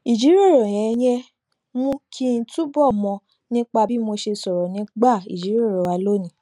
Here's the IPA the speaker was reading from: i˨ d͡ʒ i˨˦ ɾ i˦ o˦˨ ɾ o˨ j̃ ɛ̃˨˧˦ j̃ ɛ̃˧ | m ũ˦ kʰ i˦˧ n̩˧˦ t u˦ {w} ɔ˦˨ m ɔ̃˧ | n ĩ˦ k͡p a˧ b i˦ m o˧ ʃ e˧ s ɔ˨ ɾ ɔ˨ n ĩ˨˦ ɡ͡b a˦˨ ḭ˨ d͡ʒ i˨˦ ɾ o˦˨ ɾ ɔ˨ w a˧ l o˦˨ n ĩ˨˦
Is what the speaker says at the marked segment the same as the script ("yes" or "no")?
no